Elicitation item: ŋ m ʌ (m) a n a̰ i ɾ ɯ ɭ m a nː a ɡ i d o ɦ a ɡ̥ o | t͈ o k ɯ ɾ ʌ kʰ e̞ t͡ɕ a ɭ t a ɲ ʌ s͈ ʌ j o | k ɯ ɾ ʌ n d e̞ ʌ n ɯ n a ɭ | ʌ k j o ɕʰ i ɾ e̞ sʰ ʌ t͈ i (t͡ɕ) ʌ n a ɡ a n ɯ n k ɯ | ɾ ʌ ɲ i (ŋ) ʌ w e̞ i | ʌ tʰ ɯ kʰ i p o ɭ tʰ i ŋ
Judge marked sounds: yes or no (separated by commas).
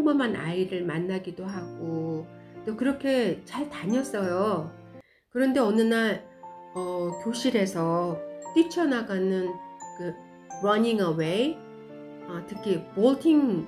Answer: yes, no, yes